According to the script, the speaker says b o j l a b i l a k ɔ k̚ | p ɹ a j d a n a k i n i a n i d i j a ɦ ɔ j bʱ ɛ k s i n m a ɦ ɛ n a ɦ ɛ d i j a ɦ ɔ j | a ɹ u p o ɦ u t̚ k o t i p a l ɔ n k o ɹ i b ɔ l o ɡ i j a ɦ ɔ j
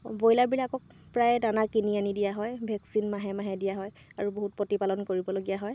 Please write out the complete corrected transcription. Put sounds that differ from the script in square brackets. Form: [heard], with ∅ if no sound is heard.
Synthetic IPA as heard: b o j l a b i l a k ɔ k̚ | p ɹ a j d a n a k i n i a n i d i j a ɦ ɔ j bʱ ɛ k s i n m a ɦ ɛ [m] a ɦ ɛ d i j a ɦ ɔ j | a ɹ u [b] o ɦ u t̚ [p] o t i p a l ɔ n k o ɹ i b ɔ l o ɡ i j a ɦ ɔ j